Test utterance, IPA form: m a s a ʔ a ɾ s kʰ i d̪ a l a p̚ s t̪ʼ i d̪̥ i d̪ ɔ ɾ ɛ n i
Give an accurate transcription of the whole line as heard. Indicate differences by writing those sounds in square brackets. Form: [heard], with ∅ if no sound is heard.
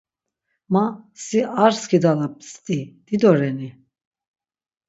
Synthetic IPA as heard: m a s [i] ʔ a ɾ s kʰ i d̪ a l a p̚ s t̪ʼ i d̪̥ i d̪ ɔ ɾ ɛ n i

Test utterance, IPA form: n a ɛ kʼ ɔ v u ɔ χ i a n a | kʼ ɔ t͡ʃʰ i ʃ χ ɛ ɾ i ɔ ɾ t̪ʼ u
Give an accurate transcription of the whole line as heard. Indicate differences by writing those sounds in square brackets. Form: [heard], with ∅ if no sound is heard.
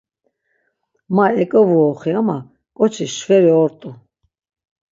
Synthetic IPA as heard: [m] a ɛ kʼ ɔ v u ɔ χ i a [m] a | kʼ ɔ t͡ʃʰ i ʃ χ ɛ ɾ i ɔ ɾ t̪ʼ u

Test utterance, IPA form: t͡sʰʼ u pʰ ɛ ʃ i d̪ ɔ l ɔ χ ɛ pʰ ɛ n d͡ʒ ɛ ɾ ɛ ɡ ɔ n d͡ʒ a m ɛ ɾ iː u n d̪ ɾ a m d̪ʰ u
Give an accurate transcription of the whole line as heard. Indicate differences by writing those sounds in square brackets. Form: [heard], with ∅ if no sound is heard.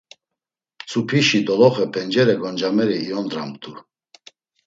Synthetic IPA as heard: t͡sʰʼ u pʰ [i] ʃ i d̪ ɔ l ɔ χ ɛ pʰ ɛ n d͡ʒ ɛ ɾ ɛ ɡ ɔ n d͡ʒ a m ɛ ɾ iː [ɔ] n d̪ ɾ a m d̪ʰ u

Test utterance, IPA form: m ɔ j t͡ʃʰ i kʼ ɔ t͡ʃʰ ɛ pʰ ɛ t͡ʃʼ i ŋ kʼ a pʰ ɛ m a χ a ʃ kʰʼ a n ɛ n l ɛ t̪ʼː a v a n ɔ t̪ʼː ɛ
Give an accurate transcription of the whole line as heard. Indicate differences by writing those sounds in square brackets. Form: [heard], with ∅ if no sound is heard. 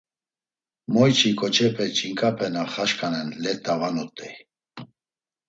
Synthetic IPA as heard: m ɔ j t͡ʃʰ i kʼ ɔ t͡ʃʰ ɛ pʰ ɛ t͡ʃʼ i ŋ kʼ a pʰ ɛ [n] a χ a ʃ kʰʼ a n ɛ n l ɛ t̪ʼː a v a n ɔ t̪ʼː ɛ

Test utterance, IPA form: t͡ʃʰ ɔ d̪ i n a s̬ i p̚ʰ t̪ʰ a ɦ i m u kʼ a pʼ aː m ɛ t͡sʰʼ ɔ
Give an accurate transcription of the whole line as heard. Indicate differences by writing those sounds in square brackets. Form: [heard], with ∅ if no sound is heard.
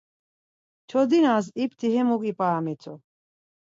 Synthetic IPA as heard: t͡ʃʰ ɔ d̪ i n a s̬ i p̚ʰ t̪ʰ [i] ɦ [ɛ] m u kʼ [i] pʼ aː m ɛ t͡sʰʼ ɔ

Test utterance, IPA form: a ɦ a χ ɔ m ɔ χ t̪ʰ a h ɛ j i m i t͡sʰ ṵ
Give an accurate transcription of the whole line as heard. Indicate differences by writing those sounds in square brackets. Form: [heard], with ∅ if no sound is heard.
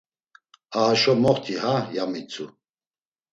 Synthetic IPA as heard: a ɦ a [ʃ] ɔ m ɔ χ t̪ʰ [i] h [a] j [a] m i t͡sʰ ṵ

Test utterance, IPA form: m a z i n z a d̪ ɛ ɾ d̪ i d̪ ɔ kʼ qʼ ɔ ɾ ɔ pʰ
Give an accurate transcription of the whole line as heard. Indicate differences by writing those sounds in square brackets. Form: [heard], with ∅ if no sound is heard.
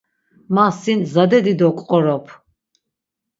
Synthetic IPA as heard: m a [s] i n z a d̪ ɛ [∅] d̪ i d̪ ɔ kʼ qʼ ɔ ɾ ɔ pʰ

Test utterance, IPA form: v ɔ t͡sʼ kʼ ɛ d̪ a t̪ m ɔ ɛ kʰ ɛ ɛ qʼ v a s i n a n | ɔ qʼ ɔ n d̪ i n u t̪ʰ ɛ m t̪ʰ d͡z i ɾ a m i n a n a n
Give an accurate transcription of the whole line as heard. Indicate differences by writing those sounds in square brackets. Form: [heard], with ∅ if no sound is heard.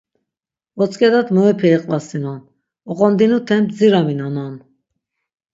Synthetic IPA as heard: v ɔ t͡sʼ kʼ ɛ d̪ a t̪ m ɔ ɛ [pʰ] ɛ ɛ qʼ v a s i n a n | ɔ qʼ ɔ n d̪ i n u t̪ʰ ɛ m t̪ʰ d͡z i ɾ a m i n a n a n

